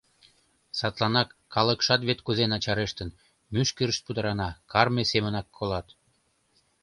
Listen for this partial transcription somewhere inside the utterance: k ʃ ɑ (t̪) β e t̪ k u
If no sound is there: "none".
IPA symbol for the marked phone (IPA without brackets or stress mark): t̪